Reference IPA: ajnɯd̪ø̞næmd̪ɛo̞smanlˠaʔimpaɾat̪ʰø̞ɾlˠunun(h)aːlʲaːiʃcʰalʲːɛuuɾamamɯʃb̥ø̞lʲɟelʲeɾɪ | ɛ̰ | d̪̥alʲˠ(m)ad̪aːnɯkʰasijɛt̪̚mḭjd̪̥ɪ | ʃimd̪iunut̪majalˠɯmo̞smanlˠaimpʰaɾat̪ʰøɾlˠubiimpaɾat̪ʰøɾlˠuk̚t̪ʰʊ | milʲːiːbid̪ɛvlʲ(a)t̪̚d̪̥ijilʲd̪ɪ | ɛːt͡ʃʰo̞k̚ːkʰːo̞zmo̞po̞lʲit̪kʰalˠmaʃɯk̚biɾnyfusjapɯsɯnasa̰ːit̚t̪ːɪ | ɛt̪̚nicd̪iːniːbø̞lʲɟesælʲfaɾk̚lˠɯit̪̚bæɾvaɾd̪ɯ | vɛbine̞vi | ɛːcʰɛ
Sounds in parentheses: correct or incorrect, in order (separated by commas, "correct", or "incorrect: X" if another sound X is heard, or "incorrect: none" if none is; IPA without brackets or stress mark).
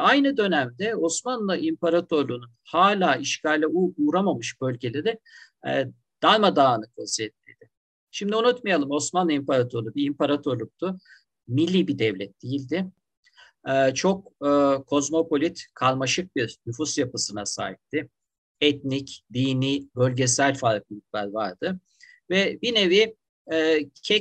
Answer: correct, correct, incorrect: ɛ